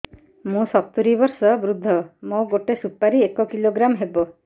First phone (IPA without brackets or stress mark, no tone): m